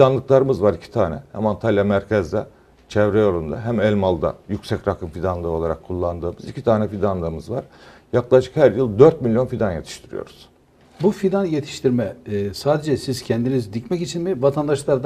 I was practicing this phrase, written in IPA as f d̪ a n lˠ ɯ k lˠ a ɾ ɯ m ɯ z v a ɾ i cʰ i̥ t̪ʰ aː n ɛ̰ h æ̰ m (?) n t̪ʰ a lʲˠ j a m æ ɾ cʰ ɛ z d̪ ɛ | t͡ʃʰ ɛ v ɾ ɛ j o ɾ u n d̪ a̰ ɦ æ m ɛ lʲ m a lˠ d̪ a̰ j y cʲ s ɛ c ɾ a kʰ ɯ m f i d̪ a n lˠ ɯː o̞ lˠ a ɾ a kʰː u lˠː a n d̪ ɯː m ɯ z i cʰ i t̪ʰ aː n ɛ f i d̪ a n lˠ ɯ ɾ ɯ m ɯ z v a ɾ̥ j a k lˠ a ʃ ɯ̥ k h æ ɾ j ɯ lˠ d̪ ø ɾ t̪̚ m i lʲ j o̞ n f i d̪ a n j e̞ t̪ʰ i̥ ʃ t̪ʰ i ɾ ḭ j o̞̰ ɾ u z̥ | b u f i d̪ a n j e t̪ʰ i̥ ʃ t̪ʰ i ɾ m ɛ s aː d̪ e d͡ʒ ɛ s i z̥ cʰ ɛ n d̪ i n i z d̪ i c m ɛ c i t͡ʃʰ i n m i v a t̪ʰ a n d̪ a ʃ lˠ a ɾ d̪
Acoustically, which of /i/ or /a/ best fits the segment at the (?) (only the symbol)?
a